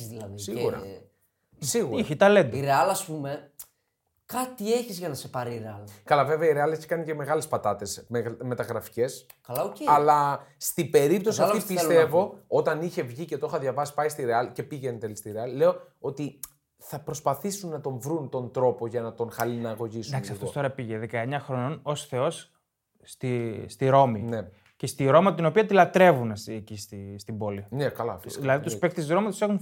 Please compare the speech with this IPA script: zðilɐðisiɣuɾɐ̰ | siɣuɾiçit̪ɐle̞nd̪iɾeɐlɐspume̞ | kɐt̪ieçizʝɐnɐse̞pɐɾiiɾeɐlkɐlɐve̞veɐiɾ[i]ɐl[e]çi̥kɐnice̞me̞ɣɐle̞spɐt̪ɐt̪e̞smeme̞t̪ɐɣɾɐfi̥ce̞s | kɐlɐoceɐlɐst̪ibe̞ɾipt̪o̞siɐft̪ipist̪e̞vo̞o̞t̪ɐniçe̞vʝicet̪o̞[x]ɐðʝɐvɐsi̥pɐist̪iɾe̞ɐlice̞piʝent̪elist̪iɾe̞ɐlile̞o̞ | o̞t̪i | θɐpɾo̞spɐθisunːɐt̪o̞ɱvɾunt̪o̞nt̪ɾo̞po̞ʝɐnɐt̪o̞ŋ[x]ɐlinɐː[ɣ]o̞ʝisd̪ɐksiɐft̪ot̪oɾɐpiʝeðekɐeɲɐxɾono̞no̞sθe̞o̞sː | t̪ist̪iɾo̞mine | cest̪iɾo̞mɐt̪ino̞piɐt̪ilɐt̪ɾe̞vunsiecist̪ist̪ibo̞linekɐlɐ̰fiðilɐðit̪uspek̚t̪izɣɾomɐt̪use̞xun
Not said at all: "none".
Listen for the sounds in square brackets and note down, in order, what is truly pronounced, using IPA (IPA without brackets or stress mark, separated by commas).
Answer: e, e, x, x, ɣ